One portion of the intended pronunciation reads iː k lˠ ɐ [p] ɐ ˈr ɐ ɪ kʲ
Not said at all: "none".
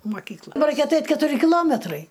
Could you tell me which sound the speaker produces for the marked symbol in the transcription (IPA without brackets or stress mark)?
b